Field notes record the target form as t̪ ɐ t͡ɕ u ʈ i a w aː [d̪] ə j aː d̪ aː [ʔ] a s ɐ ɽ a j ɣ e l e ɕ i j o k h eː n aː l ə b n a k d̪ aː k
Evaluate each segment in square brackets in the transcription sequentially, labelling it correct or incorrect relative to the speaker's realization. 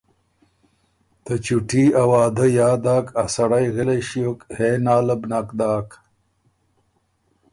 correct, incorrect: k

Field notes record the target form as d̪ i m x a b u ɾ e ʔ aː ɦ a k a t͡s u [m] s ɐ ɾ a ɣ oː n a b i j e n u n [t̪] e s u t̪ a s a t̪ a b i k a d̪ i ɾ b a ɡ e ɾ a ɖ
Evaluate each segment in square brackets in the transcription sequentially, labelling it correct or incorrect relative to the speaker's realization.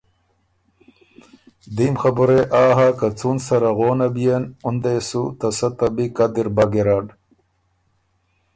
incorrect: n, incorrect: d̪

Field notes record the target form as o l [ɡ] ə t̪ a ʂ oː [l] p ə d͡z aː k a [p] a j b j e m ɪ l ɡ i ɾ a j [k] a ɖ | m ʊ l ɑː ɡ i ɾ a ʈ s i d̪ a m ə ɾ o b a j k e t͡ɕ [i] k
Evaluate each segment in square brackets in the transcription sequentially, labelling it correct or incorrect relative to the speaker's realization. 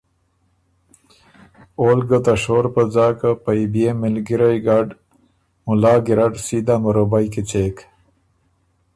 correct, incorrect: ɾ, correct, incorrect: ɡ, incorrect: e

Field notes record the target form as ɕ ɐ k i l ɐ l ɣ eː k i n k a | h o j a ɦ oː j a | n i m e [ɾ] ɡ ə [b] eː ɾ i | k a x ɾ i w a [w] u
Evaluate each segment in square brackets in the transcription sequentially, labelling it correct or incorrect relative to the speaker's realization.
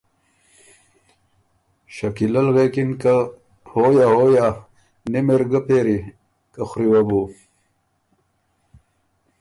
correct, incorrect: p, incorrect: b

